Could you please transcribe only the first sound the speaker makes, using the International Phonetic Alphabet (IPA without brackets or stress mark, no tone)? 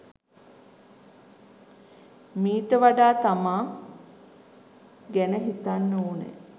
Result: m